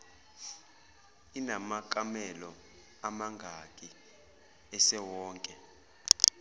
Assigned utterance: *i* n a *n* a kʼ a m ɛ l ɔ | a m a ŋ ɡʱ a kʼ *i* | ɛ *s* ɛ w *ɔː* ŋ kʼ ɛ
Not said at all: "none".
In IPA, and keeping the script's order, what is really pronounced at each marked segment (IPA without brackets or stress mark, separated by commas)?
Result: i, m, i, s, ɔː